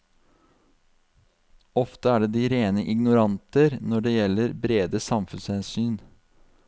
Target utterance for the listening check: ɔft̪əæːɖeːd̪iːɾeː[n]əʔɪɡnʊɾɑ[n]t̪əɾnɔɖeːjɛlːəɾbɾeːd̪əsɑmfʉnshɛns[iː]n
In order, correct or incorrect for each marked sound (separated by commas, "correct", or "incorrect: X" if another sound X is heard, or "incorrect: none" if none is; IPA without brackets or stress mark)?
correct, correct, incorrect: yː